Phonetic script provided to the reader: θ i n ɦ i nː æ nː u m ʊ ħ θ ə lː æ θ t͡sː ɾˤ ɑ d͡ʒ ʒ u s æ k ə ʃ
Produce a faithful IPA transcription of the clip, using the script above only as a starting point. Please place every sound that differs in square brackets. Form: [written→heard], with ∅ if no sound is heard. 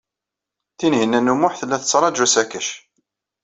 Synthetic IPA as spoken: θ i n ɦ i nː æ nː u m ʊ ħ θ ə lː æ θ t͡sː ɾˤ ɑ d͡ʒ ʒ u s æ k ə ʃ